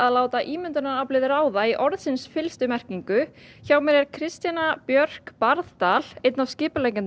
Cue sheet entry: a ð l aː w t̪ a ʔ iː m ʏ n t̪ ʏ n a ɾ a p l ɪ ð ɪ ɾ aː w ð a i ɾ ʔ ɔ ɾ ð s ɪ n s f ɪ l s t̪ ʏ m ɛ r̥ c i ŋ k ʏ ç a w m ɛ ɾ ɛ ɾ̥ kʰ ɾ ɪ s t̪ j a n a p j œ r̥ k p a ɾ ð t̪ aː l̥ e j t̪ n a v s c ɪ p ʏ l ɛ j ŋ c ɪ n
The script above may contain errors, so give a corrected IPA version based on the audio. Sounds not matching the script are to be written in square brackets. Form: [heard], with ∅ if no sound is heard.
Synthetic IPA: a ð l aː w t̪ a ʔ iː m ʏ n t̪ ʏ n a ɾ a p l ɪ ð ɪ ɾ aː w ð a i [∅] ʔ ɔ ɾ ð s ɪ n s f ɪ l s t̪ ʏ m ɛ r̥ c i ŋ k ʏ ç a w m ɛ ɾ ɛ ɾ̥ kʰ ɾ ɪ s t̪ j a n a p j œ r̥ k p a ɾ ð t̪ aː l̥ e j t̪ n a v s c [ɪː] p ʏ l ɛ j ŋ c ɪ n